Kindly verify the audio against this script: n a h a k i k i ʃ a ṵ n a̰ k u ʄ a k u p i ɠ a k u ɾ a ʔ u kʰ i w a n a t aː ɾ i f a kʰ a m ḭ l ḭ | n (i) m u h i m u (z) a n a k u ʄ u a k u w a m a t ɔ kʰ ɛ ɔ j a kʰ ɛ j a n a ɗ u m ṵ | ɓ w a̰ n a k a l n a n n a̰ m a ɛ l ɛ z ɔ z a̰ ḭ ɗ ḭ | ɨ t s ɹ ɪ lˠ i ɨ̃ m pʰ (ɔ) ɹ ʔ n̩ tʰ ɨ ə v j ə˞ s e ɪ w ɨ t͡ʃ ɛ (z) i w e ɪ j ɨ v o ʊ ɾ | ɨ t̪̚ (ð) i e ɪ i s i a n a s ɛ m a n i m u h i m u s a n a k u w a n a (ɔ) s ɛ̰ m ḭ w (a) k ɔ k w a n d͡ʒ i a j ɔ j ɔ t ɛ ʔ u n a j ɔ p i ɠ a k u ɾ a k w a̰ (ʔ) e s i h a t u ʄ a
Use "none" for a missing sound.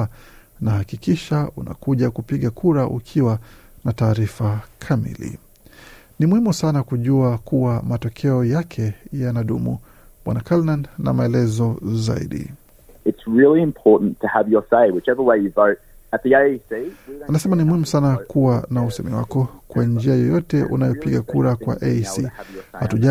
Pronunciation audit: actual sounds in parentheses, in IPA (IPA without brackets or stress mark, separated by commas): i, s, ɔ, v, ð, u, a, ʔ